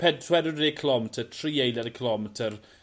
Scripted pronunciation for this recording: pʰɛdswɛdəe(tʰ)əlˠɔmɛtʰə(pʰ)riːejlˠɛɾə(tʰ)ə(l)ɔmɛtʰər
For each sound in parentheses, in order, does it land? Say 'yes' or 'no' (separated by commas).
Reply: no, no, no, yes